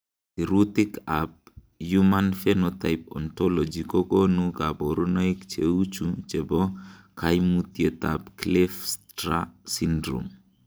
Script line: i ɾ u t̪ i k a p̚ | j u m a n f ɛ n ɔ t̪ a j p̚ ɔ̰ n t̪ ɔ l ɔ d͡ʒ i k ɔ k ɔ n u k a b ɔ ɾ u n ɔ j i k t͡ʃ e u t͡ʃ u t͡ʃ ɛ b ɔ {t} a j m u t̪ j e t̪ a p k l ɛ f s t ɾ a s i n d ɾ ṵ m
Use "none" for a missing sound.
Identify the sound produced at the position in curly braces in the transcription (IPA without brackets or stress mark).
k